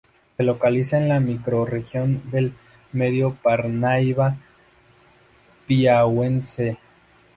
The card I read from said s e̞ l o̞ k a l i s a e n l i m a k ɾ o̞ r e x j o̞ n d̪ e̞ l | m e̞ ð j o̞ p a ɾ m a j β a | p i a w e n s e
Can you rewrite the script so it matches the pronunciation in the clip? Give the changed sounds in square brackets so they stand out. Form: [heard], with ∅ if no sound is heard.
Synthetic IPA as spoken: s e̞ l o̞ k a l i s a e n l [a] m [i] k ɾ o̞ r e x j o̞ n d̪ e̞ l | m e̞ ð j o̞ p a ɾ [n] a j β a | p i a w e n s e